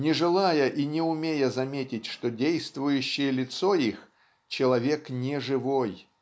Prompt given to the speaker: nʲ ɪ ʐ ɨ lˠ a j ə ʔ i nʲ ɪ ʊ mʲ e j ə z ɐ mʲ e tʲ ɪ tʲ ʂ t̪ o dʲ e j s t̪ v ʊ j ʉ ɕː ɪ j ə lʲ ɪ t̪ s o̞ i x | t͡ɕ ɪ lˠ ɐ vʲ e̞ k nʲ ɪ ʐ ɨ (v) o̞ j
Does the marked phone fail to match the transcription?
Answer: no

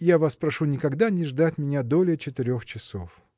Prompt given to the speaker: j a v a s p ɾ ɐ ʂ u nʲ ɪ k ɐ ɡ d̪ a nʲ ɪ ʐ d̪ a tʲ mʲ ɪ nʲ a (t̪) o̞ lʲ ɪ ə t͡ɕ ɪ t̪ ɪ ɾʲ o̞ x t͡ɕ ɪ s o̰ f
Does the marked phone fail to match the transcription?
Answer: yes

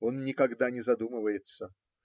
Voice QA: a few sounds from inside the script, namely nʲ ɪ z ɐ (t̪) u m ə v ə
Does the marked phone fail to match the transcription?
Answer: yes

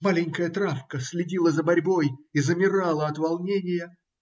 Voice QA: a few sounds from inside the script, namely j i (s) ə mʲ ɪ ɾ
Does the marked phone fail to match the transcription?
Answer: yes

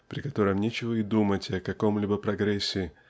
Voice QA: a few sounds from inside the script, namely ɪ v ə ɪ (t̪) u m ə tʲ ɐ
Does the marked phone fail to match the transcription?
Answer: yes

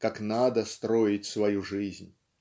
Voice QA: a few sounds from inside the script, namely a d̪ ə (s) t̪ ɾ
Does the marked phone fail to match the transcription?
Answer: no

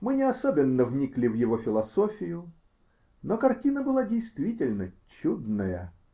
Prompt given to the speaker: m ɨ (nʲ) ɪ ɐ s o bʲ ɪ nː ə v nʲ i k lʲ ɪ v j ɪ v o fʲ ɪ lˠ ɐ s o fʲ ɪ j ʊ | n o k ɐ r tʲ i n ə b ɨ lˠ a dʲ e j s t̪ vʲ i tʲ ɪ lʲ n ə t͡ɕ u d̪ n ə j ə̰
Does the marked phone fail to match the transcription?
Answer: no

